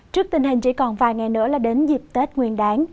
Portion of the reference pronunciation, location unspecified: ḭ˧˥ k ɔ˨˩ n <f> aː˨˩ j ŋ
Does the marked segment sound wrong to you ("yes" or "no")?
yes